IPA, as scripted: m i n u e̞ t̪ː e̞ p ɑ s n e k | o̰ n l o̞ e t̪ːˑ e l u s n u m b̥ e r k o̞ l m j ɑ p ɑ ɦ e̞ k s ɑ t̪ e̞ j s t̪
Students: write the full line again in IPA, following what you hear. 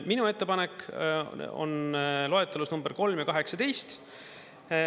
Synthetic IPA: m i n u e̞ t̪ː e̞ p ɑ n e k | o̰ n l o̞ e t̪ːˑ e l u s n u m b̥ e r k o̞ l m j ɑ k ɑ ɦ e̞ k s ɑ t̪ e̞ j s t̪